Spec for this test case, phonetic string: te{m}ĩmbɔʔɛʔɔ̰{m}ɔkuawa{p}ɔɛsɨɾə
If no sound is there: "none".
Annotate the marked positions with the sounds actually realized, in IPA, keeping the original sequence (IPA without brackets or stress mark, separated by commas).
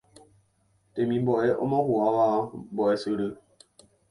m, m, b